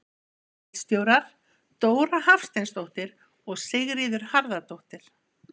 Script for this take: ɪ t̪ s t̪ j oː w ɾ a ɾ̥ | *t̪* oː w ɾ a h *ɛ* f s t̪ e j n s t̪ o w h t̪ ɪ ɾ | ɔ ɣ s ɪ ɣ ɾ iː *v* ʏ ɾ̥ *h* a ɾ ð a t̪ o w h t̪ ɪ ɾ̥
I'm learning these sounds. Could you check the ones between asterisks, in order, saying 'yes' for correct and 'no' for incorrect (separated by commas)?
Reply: yes, no, no, yes